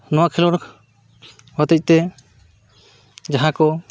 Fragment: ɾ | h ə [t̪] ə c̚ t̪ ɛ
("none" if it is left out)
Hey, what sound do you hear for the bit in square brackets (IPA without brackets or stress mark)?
t̪